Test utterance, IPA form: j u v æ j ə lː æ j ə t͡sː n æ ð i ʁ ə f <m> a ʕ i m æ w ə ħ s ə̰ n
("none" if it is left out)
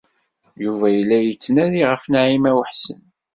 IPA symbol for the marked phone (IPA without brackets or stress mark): n